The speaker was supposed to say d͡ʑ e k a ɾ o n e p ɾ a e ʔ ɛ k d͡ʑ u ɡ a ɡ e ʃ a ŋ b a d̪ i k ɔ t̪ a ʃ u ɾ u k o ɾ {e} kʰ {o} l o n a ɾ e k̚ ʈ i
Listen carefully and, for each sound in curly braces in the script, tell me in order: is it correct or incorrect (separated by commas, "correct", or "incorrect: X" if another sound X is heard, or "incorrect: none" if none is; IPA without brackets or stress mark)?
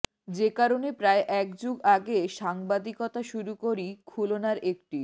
incorrect: i, incorrect: u